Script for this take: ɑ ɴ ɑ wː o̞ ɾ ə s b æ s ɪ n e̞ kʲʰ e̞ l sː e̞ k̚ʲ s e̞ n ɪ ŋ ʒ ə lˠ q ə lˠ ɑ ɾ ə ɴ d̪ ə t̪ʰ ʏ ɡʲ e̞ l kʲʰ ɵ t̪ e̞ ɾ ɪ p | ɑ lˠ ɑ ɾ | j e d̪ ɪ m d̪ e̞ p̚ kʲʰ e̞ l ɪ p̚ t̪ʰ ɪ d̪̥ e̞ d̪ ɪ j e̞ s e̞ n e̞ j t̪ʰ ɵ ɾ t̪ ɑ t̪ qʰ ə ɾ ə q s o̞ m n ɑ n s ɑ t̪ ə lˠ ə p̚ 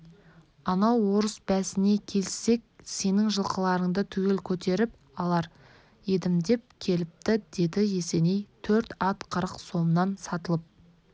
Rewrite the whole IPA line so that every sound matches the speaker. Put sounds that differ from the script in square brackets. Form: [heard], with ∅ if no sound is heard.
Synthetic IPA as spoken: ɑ [n] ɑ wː o̞ ɾ ə s b æ s ɪ n e̞ kʲʰ e̞ l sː e̞ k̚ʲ s e̞ n ɪ ŋ ʒ ə lˠ q ə lˠ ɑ ɾ ə ɴ d̪ ə t̪ʰ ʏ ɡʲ e̞ l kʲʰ ɵ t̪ e̞ ɾ ɪ p | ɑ lˠ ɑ ɾ | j e d̪ ɪ m d̪ e̞ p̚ kʲʰ e̞ l ɪ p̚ [t̪] ɪ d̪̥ e̞ d̪ ɪ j e̞ s e̞ n e̞ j t̪ʰ ɵ ɾ t̪ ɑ t̪ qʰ ə ɾ ə q s o̞ m n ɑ n s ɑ t̪ ə lˠ ə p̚